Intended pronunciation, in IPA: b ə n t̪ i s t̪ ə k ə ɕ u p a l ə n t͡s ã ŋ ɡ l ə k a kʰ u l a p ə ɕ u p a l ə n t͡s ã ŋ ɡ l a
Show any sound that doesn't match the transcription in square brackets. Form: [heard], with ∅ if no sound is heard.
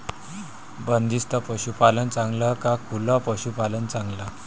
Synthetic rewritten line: b ə n [d̪] i s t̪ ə [p] ə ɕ u p a l ə n t͡s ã ŋ ɡ l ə k a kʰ u l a p ə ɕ u p a l ə n t͡s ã ŋ ɡ l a